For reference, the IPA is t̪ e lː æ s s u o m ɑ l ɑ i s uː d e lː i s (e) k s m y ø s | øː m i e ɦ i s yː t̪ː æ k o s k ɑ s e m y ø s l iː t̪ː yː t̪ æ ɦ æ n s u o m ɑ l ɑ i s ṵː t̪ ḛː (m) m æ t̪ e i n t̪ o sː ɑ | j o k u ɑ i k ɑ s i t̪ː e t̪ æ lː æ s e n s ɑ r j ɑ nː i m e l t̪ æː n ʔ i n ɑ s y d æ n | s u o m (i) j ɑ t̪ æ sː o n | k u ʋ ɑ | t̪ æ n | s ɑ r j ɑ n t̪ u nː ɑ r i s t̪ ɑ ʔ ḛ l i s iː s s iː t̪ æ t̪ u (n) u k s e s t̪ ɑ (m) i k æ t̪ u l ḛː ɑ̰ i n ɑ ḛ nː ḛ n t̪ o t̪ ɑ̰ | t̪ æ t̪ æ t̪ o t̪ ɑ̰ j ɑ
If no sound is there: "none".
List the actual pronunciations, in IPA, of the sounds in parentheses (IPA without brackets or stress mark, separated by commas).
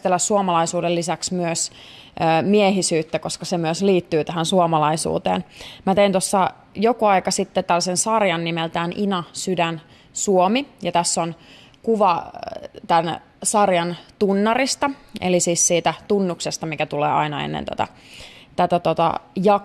æ, n, i, nː, m